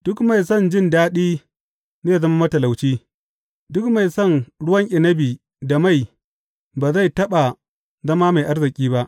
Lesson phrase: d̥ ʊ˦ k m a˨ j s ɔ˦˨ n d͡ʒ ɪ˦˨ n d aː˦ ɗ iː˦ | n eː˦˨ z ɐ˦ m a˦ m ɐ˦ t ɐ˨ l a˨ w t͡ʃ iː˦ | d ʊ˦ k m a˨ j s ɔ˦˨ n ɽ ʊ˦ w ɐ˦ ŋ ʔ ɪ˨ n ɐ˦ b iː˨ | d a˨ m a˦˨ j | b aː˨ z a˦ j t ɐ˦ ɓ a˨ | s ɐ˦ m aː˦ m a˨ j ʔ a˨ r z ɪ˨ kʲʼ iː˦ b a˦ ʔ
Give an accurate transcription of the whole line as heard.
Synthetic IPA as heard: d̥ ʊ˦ k m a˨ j s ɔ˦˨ n d͡ʒ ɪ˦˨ n d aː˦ ɗ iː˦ | n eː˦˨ z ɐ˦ m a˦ m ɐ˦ t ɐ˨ l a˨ w t͡ʃ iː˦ | d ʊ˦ k m a˨ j s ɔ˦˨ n ɽ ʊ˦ w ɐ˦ ŋ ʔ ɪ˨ n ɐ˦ b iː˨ | d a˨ m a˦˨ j | b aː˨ z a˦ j t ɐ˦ ɓ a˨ | z ɐ˦ m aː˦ m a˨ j ʔ a˦ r z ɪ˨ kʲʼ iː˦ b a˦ ʔ